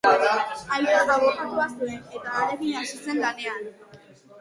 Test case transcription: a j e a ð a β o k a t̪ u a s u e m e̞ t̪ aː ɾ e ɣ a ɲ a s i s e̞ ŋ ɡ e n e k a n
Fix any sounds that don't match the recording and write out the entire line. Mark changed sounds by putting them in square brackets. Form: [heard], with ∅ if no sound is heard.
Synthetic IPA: a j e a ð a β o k a t̪ u a s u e [n] e̞ t̪ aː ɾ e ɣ [i] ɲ a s i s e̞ ŋ ɡ [a] n e [∅] a n

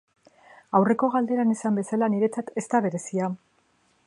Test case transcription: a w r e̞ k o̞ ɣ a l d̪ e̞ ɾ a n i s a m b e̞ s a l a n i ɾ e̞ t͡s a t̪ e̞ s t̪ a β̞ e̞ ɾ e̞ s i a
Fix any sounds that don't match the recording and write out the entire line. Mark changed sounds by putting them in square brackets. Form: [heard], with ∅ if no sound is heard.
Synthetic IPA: a w r e̞ k o̞ ɣ a l d̪ e̞ ɾ a n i s a m b e̞ s a l a n i ɾ e̞ t͡s a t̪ e̞ s t̪ a β̞ e̞ ɾ e̞ s i a

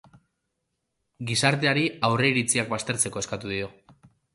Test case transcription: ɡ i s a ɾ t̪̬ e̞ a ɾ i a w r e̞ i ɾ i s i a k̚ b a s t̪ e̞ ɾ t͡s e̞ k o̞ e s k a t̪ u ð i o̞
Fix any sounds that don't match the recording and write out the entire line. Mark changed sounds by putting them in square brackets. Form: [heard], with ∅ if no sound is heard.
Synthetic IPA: ɡ i s a ɾ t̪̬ e̞ a ɾ i a w r e̞ i ɾ i [t͡s] i a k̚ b a s t̪ e̞ ɾ t͡s e̞ k o̞ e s k a t̪ u ð i o̞

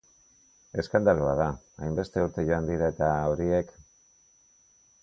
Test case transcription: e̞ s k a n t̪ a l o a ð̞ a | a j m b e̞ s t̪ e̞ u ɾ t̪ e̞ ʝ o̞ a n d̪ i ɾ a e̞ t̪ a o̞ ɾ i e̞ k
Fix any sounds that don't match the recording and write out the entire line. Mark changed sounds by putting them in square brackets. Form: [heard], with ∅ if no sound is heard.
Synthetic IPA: e̞ s k a n [d̪] a l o a ð̞ a | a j m b e̞ s t̪ e̞ u ɾ t̪ e̞ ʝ o̞ a n d̪ i ɾ a e̞ t̪ a o̞ ɾ i e̞ k

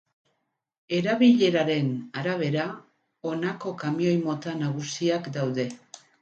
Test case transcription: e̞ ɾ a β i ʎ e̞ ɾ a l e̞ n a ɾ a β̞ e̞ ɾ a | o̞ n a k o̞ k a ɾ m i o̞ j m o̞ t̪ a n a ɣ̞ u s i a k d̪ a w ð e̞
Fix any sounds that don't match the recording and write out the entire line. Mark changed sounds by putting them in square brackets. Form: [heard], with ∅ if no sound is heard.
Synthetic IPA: e̞ ɾ a β i ʎ e̞ ɾ a [ɾ] e̞ n a ɾ a β̞ e̞ ɾ a | o̞ n a k o̞ k a [∅] m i o̞ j m o̞ t̪ a n a ɣ̞ u s i a k d̪ a w ð e̞

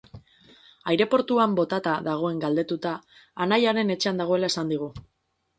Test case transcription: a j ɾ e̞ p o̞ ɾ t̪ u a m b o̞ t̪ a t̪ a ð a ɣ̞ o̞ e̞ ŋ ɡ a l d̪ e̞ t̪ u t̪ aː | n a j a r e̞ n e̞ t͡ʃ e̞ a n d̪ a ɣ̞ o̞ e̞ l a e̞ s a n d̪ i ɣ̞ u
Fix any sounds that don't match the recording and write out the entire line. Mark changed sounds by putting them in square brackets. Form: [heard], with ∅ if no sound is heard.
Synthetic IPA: a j ɾ e̞ p o̞ ɾ t̪ u a m b o̞ t̪ a t̪ a ð a ɣ̞ o̞ e̞ ŋ ɡ a l d̪ e̞ t̪ u t̪ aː | n a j a [ɾ] e̞ n e̞ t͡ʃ e̞ a n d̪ a ɣ̞ o̞ e̞ l a e̞ s a n d̪ i ɣ̞ u

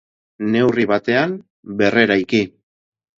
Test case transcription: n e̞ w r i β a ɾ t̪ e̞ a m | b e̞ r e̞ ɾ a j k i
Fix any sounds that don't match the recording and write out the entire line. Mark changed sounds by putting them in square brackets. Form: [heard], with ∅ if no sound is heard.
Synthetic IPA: n e̞ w r i β a [∅] t̪ e̞ a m | b e̞ r e̞ ɾ a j k i

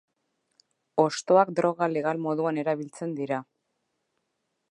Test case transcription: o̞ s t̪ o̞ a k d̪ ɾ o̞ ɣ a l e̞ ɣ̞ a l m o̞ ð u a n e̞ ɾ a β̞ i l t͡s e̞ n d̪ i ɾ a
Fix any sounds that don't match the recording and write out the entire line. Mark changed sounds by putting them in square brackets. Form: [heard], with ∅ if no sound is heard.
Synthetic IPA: o̞ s t̪ o̞ a k d̪ ɾ o̞ ɣ a l e̞ ɣ̞ a l m o̞ ð u a n e̞ ɾ a β̞ i l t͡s e̞ n d̪ i ɾ a

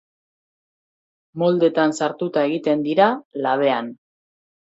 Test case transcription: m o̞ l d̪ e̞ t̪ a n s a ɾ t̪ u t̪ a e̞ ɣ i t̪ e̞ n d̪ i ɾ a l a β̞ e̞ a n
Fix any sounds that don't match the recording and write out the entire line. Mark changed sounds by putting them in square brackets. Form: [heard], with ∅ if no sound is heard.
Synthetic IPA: m o̞ l d̪ e̞ t̪ a n s a ɾ t̪ u t̪ a e̞ ɣ i t̪ e̞ n d̪ i ɾ a l a β̞ e̞ a n

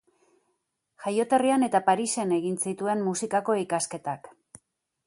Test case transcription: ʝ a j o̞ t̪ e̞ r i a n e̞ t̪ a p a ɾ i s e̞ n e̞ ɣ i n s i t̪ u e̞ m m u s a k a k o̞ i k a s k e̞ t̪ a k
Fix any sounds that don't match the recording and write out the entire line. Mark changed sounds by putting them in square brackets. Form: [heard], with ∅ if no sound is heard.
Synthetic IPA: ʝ a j o̞ t̪ e̞ r i a n e̞ t̪ a p a ɾ i s e̞ n e̞ ɣ i n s i t̪ u e̞ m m u s [i] k a k o̞ i k a s k e̞ t̪ a k

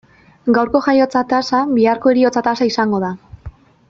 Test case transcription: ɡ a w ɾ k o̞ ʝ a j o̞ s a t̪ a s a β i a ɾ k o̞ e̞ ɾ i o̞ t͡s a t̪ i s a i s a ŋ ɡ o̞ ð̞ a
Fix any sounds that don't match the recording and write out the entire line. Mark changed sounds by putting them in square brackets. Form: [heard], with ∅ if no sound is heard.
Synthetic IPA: ɡ a w ɾ k o̞ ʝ a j o̞ [t͡s] a t̪ a s a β i a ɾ k o̞ e̞ ɾ i o̞ t͡s a t̪ [a] s a i s a ŋ ɡ o̞ ð̞ a

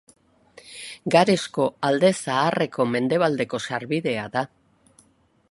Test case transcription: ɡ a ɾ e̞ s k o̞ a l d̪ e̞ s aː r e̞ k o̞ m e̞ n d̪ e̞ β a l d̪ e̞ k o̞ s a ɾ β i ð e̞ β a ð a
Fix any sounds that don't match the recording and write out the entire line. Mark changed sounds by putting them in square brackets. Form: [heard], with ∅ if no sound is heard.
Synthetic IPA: ɡ a ɾ e̞ s k o̞ a l d̪ e̞ s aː r e̞ k o̞ m e̞ n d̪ e̞ β a l d̪ e̞ k o̞ s a ɾ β i ð e̞ [∅] a ð a

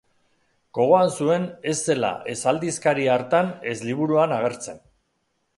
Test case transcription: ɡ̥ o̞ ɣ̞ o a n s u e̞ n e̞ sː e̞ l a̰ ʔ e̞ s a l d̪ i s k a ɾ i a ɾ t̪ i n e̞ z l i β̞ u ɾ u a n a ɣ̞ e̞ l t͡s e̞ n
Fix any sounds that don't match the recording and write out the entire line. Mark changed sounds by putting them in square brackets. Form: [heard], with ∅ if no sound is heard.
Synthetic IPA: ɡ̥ o̞ ɣ̞ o a n s u e̞ n e̞ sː e̞ l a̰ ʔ e̞ s a l d̪ i s k a ɾ i a ɾ t̪ [a] n e̞ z l i β̞ u ɾ u a n a ɣ̞ e̞ [ɾ] t͡s e̞ n

